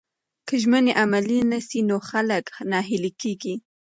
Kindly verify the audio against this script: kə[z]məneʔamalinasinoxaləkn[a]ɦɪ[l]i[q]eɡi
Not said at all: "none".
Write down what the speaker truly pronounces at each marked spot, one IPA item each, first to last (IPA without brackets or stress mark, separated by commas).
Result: ʒ, ɑ, l, k